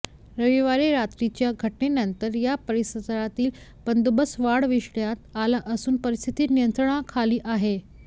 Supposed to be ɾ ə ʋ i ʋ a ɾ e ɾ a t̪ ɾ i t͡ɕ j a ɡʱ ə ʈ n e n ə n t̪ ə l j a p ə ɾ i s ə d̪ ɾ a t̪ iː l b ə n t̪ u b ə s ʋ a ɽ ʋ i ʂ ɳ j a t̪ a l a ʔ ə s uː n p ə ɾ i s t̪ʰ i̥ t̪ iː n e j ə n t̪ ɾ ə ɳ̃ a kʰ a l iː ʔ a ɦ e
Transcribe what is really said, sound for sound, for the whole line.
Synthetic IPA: ɾ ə ʋ i ʋ a ɾ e ɾ a t̪ ɾ i t͡ɕ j a ɡʱ ə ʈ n e n ə n t̪ ə ɾ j a p ə ɾ i s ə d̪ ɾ a t̪ iː l b ə n d̪ u b ə s ʋ a ɽ ʋ i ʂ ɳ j a t̪ a l a ʔ ə s uː n p ə ɾ i s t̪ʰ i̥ t̪ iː n i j ə n t̪ ɾ ə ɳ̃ a kʰ a l iː ʔ a ɦ e